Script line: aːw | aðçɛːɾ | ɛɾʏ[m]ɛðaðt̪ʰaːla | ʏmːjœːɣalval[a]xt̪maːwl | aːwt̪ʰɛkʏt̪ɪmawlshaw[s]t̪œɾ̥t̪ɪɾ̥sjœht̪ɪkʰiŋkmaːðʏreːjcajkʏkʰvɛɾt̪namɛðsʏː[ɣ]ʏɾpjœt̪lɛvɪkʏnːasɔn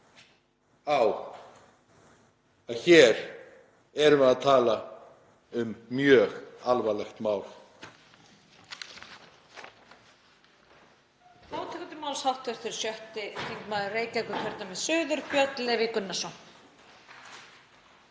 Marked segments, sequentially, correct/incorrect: correct, incorrect, incorrect, incorrect

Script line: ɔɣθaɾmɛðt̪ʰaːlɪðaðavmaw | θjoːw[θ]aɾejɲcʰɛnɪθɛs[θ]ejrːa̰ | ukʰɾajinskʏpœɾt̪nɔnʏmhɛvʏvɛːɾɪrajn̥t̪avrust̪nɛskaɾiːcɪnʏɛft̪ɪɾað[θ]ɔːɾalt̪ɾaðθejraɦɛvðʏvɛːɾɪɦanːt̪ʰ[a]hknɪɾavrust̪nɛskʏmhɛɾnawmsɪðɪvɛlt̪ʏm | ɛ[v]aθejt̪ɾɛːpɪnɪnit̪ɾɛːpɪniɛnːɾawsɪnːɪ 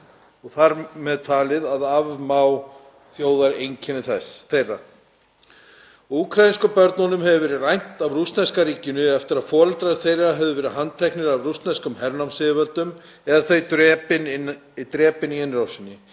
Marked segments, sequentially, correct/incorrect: incorrect, correct, incorrect, incorrect, incorrect

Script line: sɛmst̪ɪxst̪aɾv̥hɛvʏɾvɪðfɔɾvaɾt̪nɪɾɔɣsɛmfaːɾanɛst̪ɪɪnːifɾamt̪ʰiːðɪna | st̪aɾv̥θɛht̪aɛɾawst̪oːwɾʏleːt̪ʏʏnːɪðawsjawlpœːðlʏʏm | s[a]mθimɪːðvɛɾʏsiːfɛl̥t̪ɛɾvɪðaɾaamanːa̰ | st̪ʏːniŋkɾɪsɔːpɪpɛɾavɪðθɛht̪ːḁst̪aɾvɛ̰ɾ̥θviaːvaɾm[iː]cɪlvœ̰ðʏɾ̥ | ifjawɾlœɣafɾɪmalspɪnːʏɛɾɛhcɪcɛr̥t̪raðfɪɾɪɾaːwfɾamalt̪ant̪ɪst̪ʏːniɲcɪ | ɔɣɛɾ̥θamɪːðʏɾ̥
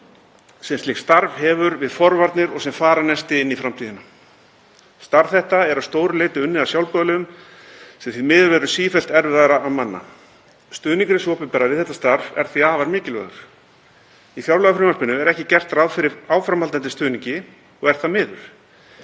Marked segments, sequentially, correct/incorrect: incorrect, incorrect

